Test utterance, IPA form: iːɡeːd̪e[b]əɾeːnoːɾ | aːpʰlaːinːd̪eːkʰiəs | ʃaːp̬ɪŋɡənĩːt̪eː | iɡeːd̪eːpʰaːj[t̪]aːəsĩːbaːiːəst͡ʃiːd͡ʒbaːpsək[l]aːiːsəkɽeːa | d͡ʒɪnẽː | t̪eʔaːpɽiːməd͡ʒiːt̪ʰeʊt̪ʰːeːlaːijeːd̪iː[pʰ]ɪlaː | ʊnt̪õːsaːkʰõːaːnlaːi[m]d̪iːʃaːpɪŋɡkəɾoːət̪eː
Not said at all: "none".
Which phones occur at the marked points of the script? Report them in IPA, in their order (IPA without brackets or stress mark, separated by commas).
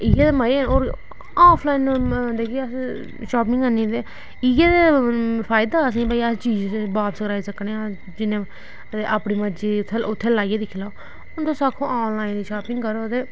m, d̪, ɾ, kʰ, n